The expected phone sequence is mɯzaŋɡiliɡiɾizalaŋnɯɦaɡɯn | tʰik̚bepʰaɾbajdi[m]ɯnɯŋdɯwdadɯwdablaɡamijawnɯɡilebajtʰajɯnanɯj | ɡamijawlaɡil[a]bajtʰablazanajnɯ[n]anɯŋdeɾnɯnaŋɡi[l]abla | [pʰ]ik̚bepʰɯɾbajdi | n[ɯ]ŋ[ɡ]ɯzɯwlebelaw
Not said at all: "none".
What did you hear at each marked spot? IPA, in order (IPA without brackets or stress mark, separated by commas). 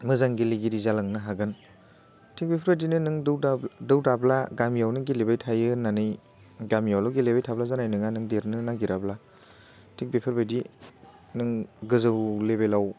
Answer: n, e, ŋ, ɾ, tʰ, ɯ, ɡ